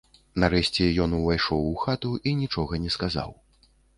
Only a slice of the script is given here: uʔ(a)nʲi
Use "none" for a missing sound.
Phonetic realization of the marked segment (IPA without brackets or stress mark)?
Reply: i